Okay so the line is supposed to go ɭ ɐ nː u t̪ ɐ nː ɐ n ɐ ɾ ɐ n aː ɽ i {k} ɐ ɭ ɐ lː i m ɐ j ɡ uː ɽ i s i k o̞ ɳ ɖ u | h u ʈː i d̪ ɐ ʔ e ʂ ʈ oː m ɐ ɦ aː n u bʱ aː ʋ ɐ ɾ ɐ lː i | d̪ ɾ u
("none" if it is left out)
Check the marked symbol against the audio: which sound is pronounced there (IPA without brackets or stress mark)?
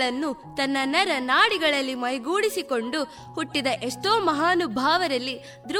ɡ